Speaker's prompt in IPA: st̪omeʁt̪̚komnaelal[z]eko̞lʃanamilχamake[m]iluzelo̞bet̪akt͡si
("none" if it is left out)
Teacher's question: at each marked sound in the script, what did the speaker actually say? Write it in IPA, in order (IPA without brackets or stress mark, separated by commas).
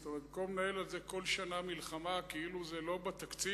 z, none